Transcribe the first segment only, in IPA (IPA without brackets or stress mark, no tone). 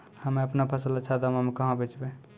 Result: h